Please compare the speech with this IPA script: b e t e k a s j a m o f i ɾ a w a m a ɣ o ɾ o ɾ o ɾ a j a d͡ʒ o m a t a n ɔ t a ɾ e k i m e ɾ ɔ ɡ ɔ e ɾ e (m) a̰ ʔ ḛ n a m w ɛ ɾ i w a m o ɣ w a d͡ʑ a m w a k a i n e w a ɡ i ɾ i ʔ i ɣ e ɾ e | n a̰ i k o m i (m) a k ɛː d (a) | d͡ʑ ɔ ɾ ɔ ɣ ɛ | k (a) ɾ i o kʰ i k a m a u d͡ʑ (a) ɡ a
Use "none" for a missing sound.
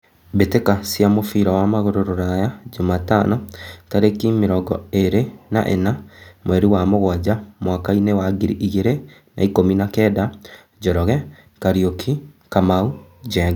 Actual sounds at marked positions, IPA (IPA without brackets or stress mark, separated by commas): n, n, a, a, ɛ